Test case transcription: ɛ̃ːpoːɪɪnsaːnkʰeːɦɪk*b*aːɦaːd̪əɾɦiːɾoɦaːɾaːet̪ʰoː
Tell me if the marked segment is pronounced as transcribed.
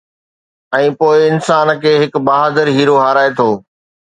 yes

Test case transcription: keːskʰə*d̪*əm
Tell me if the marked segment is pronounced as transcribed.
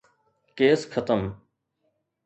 no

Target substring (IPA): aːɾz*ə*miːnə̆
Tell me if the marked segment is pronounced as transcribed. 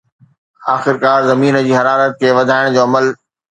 no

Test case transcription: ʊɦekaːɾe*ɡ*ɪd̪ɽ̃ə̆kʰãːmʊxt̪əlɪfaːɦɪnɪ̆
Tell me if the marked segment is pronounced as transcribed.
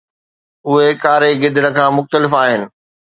yes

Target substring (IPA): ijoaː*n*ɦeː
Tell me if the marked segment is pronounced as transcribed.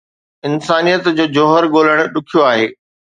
no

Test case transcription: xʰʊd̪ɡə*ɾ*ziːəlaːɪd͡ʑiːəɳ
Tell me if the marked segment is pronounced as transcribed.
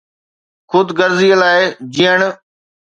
yes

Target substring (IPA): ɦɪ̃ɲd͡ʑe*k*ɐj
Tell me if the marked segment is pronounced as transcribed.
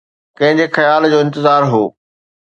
no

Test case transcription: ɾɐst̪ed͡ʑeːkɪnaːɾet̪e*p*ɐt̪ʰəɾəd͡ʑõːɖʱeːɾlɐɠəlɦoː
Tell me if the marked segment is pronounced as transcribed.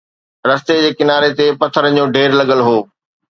yes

